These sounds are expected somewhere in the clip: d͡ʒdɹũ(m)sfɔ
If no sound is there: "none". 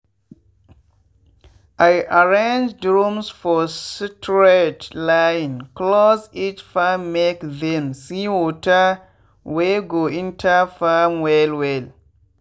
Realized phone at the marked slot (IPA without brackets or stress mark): m